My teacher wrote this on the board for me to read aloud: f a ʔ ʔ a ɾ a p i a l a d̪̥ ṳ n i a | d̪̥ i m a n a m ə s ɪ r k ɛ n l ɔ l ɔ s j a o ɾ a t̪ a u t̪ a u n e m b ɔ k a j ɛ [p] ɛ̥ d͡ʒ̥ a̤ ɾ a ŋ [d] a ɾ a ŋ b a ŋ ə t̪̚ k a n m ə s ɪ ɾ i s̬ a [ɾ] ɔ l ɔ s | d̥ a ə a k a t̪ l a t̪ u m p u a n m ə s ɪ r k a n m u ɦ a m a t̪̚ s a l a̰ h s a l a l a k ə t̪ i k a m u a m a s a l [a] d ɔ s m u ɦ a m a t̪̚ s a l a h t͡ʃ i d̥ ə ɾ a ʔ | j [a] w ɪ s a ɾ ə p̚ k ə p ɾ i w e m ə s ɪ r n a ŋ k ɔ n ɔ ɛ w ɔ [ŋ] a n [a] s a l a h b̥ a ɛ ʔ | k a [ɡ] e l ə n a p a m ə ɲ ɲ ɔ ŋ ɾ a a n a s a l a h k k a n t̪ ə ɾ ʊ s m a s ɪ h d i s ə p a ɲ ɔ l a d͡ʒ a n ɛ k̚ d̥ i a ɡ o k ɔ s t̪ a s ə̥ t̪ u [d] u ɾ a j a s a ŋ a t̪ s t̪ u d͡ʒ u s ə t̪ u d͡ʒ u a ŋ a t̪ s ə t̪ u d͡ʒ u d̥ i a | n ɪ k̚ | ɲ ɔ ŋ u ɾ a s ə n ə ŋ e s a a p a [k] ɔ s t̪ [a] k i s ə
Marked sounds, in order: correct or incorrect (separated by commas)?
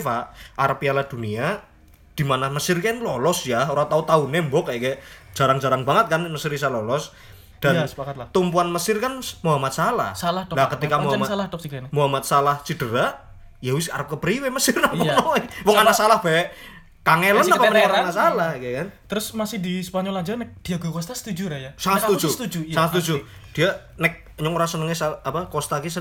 incorrect, incorrect, incorrect, correct, correct, correct, correct, incorrect, incorrect, correct, correct